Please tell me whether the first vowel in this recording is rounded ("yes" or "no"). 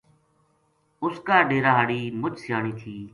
yes